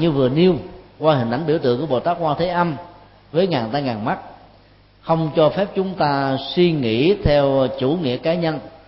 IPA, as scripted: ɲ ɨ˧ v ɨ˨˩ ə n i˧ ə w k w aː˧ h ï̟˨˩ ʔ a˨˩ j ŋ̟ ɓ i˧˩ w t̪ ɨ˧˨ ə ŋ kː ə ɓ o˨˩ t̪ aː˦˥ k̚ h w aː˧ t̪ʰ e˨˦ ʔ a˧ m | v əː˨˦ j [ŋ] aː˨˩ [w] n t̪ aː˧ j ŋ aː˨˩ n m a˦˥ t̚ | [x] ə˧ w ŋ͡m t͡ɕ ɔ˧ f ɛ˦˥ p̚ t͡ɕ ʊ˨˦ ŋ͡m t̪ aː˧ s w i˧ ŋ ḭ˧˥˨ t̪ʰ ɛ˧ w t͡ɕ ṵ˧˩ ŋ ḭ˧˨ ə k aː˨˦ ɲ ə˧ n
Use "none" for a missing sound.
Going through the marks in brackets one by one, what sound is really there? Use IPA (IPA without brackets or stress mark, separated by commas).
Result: ŋ, none, x